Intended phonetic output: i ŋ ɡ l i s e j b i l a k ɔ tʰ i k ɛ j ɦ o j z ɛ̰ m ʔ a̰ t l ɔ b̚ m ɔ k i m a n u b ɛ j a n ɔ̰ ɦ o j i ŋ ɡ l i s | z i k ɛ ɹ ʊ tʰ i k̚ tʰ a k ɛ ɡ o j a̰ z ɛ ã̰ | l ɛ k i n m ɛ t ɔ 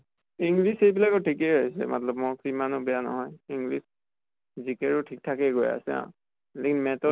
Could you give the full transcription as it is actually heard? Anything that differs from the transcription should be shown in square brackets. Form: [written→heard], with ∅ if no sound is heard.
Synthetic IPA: i ŋ ɡ l i s e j b i l a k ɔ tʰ i k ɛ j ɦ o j [z→s] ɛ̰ m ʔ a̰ t l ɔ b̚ m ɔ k i m a n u b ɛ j a n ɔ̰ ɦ [o→ɔ] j i ŋ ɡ l i s | z i k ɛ ɹ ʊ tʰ i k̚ tʰ a k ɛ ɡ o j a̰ [z→s] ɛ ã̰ | l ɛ k i n m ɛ t ɔ